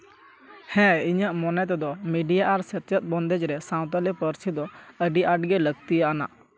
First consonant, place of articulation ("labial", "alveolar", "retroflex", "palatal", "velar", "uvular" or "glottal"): glottal